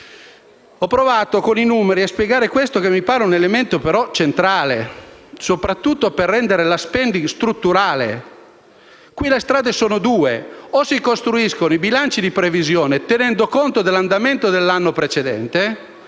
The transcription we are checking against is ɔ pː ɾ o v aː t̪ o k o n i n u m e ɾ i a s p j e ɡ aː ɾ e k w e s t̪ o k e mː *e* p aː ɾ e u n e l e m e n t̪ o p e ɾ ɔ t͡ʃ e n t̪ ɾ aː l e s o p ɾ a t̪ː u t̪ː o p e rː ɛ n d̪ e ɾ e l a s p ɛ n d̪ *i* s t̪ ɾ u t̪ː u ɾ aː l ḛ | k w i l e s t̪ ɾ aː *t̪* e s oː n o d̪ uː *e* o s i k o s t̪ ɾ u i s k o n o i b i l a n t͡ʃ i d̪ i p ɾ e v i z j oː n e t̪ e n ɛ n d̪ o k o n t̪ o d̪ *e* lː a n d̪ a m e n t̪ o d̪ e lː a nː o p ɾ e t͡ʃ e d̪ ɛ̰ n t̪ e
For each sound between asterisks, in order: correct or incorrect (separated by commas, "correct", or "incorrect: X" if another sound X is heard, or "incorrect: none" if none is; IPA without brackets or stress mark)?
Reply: incorrect: i, correct, incorrect: d̪, correct, correct